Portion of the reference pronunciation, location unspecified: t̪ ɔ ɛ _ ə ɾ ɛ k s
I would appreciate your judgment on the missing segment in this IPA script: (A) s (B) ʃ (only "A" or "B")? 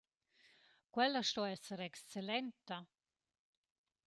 A